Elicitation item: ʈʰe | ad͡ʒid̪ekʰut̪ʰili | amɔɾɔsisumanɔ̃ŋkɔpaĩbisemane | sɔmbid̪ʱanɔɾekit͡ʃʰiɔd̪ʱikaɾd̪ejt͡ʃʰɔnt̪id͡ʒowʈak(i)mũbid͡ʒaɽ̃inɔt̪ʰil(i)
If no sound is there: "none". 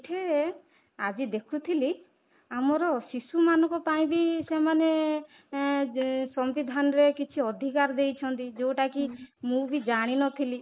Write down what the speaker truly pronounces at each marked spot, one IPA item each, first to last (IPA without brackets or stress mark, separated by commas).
i, i